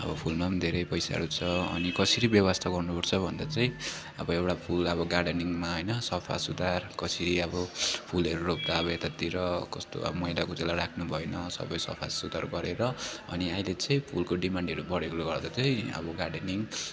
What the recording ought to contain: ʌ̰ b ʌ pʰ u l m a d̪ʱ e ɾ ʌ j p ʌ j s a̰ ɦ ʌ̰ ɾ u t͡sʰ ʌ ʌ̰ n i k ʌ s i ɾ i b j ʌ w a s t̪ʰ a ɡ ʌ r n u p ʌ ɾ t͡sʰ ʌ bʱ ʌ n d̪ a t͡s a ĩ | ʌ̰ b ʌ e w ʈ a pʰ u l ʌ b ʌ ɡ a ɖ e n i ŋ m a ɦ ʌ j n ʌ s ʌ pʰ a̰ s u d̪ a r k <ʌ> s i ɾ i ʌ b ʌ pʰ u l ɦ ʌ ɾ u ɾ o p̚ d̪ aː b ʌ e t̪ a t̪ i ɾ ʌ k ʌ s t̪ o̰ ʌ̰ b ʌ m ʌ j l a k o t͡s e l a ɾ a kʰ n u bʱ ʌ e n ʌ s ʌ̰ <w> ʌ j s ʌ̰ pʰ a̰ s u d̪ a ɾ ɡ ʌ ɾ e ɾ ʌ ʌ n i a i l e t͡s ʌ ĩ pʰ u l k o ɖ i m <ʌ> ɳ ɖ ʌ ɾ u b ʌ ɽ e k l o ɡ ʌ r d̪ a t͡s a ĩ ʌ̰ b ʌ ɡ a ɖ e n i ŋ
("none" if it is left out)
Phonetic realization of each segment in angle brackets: ʌ, b, a

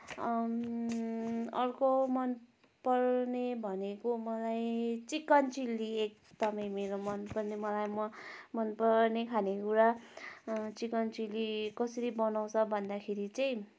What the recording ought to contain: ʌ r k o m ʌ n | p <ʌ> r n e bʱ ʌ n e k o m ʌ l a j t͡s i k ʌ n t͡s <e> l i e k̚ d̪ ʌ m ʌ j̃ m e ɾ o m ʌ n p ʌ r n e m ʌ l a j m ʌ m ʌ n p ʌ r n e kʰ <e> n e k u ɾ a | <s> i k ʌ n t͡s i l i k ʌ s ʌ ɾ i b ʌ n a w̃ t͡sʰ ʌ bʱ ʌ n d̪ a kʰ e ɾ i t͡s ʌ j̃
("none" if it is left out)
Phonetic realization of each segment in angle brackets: ʌ, i, a, t͡s

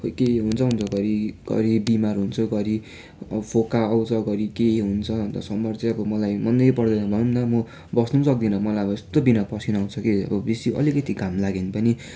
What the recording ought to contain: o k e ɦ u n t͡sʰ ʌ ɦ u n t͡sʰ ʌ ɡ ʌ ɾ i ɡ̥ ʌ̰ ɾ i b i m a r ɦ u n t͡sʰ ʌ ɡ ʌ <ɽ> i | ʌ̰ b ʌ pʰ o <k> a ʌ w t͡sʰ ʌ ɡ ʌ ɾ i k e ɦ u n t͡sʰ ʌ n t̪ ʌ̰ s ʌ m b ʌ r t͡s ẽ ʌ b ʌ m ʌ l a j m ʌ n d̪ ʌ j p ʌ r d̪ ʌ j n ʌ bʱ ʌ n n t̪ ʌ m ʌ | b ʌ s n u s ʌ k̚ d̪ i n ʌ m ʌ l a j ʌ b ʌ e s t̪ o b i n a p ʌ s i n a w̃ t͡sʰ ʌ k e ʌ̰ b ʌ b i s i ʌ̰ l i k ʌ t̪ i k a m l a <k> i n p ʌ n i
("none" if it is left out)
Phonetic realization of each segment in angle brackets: ɾ, k, ɡ

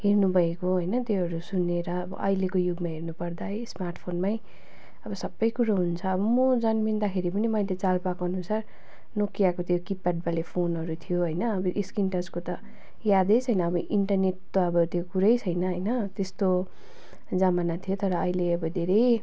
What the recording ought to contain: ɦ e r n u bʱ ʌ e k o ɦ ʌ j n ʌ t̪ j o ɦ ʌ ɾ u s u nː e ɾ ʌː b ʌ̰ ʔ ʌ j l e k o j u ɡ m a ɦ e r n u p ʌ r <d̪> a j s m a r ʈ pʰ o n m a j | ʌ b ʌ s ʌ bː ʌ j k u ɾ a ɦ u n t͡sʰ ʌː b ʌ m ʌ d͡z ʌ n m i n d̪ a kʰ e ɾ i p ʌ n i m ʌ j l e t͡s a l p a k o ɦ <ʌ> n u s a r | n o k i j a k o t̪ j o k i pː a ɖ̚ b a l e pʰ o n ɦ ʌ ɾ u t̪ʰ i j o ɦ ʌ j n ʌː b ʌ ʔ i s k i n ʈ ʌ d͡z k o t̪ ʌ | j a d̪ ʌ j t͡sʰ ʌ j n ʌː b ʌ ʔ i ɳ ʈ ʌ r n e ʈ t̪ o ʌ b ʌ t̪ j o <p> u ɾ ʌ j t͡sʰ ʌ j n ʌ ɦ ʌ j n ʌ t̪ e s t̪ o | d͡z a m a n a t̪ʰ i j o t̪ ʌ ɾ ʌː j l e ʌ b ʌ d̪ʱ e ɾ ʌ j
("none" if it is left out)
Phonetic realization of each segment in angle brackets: d̪, ʌ, k

